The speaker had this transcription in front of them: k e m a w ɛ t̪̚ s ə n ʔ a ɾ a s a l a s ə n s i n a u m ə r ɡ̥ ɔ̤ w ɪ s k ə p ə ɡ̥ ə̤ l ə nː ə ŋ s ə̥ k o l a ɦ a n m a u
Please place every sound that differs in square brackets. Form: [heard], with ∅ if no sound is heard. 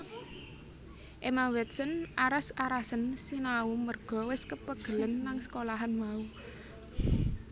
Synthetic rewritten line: [ʔ] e m a w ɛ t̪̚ s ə n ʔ a ɾ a s a [ɾ] a s ə n s i n a u m ə r ɡ̥ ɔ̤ w ɪ s k ə p ə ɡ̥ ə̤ l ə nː [a] ŋ s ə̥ k o l a ɦ a n m a u